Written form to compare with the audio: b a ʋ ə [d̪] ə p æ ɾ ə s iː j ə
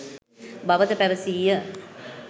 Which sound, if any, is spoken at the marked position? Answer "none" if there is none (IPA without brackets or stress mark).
t̪